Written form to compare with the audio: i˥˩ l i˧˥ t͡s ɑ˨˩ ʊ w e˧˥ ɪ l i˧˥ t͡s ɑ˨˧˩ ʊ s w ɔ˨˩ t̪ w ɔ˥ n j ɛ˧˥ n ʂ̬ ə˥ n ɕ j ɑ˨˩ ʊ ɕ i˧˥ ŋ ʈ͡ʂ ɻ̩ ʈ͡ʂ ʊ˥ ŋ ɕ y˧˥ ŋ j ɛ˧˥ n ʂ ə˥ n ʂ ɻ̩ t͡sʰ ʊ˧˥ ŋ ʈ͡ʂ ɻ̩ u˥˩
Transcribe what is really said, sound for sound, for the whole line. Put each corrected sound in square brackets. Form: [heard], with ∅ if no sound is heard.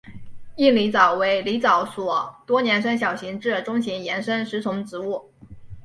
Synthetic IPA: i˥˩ l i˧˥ t͡s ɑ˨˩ ʊ w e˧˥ ɪ l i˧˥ t͡s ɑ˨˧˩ ʊ s w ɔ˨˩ t̪ w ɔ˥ n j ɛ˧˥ n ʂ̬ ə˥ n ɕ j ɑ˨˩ ʊ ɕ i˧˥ ŋ ʈ͡ʂ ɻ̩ ʈ͡ʂ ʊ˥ ŋ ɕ [i˧˥] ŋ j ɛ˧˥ n ʂ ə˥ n ʂ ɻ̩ t͡sʰ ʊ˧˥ ŋ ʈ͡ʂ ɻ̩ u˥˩

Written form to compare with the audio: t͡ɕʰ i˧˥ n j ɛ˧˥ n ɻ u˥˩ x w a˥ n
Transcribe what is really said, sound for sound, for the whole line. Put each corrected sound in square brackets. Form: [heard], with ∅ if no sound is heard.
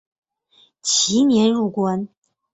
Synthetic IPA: t͡ɕʰ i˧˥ n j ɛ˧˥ n ɻ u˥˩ [k] w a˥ n

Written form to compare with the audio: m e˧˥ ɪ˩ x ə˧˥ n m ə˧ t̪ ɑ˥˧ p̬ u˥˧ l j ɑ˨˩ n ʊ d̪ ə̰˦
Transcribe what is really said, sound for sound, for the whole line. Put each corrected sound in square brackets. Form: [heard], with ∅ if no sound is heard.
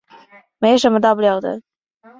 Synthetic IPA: m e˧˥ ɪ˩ [ʂ] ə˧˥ n m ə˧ t̪ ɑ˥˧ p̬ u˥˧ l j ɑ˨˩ [∅] ʊ d̪ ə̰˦

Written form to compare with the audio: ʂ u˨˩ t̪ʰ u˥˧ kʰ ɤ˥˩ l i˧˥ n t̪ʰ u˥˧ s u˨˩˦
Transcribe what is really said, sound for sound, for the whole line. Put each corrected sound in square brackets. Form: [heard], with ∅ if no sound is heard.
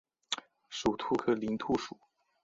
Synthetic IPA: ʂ u˨˩ t̪ʰ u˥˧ kʰ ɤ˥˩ l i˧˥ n t̪ʰ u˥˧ [ʂ] u˨˩˦

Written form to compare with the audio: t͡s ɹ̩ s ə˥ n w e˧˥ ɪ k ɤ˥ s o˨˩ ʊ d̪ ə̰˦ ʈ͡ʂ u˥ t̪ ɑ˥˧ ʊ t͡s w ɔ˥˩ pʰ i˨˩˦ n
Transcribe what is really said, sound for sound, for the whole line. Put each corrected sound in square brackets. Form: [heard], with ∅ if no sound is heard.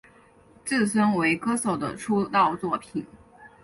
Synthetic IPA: t͡s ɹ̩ s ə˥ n w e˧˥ ɪ k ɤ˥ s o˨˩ ʊ d̪ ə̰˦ [ʈ͡ʂʰ] u˥ t̪ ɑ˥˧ ʊ t͡s w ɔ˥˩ pʰ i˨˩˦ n

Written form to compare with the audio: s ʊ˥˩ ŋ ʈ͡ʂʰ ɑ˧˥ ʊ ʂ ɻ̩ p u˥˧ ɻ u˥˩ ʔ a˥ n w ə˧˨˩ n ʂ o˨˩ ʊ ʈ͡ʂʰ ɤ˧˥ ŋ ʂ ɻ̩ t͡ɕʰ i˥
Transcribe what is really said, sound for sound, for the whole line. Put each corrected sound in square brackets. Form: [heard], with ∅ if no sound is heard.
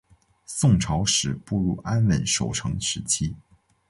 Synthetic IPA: s ʊ˥˩ ŋ ʈ͡ʂʰ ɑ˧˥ ʊ ʂ ɻ̩ p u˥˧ ɻ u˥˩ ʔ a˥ n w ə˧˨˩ n ʂ o˨˩ ʊ ʈ͡ʂʰ ɤ˧˥ ŋ ʂ ɻ̩ t͡ɕʰ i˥

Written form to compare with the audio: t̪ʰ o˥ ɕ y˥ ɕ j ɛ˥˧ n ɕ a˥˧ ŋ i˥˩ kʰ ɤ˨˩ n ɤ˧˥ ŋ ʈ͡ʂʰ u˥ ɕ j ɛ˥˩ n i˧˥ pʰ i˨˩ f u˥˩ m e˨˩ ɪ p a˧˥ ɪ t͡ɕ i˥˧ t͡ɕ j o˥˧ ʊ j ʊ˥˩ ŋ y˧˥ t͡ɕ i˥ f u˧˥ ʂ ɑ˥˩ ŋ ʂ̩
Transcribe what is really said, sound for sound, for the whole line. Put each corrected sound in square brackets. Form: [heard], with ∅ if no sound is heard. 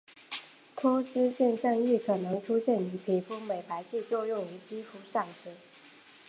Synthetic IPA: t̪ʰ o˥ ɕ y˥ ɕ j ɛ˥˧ n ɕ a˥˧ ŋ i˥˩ kʰ ɤ˨˩ n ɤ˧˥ ŋ ʈ͡ʂʰ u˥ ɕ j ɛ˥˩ n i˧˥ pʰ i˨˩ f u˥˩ m e˨˩ ɪ p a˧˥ ɪ t͡ɕ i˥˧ t͡ɕ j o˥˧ ʊ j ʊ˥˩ ŋ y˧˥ t͡ɕ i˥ f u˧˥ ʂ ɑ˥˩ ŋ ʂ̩

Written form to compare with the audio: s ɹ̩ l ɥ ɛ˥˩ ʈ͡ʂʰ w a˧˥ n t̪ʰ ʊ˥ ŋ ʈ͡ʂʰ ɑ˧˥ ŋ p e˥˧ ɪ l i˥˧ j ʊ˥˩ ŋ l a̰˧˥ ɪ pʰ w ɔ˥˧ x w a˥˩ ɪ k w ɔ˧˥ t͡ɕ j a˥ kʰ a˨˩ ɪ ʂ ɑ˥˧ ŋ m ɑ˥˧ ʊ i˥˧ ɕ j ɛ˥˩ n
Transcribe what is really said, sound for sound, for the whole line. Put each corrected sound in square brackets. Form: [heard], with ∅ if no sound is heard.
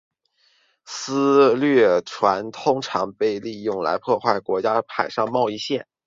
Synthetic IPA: s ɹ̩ l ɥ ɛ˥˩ ʈ͡ʂʰ w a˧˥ n t̪ʰ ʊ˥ ŋ ʈ͡ʂʰ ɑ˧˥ ŋ p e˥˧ ɪ l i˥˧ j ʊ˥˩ ŋ l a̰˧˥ ɪ pʰ w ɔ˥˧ x w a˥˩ ɪ k w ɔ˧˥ t͡ɕ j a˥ [pʰ] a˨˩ ɪ ʂ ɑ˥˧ ŋ m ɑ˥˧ ʊ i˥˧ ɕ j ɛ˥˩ n

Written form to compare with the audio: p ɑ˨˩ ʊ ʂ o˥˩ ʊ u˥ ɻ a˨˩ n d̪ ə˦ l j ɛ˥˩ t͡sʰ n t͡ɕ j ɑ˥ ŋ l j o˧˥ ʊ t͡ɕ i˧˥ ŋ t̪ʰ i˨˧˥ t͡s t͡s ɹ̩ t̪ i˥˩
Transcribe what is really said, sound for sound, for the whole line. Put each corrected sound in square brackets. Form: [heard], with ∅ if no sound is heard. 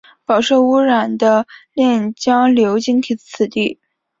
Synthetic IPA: p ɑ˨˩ ʊ ʂ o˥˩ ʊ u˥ ɻ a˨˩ n d̪ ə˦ l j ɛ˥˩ [∅] n t͡ɕ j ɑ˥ ŋ l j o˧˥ ʊ t͡ɕ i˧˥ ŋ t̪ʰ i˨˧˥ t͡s [t͡sʰ] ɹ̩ t̪ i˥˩

